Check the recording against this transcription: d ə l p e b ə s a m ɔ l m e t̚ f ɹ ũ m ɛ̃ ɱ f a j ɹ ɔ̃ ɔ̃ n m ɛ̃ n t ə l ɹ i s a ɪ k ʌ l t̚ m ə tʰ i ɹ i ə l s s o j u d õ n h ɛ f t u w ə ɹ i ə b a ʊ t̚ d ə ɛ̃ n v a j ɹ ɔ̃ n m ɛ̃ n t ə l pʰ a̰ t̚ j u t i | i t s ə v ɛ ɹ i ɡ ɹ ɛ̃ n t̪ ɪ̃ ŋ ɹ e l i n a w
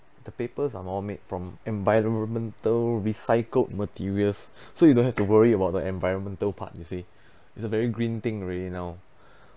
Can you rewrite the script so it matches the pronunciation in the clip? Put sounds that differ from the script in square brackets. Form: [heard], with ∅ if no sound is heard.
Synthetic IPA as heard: d ə [∅] p e [p] ə s a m ɔ l m e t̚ f ɹ [ɔ̃] m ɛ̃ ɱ [v] a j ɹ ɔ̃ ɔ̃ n m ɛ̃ n t ə l ɹ i s a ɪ k [ə] l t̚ m ə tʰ i ɹ i ə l s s o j u d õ n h ɛ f t u w ə ɹ i ə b a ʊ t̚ d ə ɛ̃ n v a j ɹ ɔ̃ n m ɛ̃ n t ə l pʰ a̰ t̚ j u [s] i | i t s ə v ɛ ɹ i ɡ ɹ [ĩ] n t̪ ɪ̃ ŋ ɹ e l i n a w

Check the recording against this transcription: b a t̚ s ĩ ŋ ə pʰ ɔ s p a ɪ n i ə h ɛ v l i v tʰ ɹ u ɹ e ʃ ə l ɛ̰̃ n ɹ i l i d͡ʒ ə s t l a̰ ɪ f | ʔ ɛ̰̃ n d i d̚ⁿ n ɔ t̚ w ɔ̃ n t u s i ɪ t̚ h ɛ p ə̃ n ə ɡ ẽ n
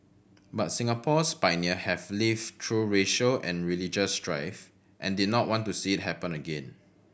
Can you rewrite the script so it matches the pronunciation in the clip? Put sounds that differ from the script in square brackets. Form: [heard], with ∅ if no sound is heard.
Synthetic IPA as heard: b a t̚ s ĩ ŋ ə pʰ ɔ s p a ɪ n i ə h ɛ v l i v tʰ ɹ u ɹ e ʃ ə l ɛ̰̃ n ɹ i l i d͡ʒ ə s t [ɹ] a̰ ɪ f | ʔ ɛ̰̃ n d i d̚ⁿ n ɔ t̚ w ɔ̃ n t u s i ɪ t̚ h ɛ p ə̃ n ə ɡ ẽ n

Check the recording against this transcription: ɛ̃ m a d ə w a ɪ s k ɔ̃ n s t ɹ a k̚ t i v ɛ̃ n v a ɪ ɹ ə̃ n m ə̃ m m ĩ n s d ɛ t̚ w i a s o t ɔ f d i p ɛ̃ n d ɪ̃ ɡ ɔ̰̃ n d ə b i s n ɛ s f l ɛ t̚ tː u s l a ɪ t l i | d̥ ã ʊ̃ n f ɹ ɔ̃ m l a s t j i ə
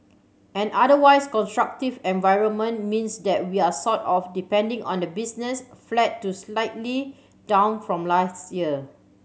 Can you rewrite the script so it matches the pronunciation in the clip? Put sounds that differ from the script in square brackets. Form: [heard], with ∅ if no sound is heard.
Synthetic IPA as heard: ɛ̃ [n] a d ə w a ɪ s k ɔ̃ n s t ɹ a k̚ t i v ɛ̃ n v a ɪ ɹ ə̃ n m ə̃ [n] m ĩ n s d ɛ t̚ w i a s [ɔ] t ɔ f d i p ɛ̃ n d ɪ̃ [ŋ] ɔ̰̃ n d ə b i s n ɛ s f l ɛ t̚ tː u s l a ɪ t l i | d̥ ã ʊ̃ n f ɹ ɔ̃ m l a s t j i ə

